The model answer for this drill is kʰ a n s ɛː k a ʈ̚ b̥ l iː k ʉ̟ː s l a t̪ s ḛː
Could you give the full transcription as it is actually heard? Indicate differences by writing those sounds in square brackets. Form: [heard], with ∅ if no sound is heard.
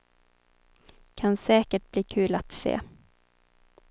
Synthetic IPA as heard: kʰ a n s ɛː k [ə] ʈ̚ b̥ l iː [kʰ] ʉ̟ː [∅] l a t̪ s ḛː